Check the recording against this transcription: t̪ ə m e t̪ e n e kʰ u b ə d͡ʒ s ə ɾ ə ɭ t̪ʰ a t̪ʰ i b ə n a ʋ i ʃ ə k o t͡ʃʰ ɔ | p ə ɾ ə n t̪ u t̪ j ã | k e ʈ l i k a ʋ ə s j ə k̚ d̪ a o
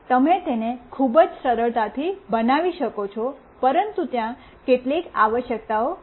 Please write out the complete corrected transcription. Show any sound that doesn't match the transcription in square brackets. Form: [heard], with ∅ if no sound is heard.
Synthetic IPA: t̪ ə m e t̪ e n e kʰ u b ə d͡ʒ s ə ɾ ə ɭ [t̪] a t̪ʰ i b ə n a ʋ i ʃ ə k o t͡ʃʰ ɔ | p ə ɾ ə n t̪ u t̪ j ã | k e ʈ l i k a ʋ ə [ʃ] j ə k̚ [t̪] a o